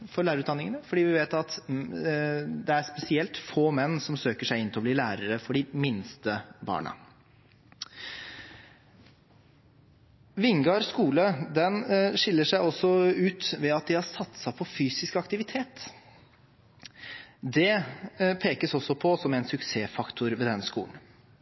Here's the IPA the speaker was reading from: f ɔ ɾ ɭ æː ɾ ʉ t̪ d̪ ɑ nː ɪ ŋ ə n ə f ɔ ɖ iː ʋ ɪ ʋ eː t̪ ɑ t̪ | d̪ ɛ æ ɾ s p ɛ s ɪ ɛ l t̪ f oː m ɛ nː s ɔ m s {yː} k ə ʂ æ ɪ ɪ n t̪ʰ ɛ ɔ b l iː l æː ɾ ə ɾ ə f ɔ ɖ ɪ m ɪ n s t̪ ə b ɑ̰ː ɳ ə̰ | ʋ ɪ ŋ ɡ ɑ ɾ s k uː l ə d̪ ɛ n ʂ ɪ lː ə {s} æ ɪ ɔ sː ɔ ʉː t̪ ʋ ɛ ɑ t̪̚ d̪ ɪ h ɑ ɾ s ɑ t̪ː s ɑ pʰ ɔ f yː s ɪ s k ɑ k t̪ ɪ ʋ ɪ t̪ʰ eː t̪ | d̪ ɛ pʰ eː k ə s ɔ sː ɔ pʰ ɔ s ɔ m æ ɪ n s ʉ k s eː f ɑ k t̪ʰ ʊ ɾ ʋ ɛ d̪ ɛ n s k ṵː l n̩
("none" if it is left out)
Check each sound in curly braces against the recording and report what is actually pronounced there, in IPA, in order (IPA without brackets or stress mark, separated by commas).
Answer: øː, ʂ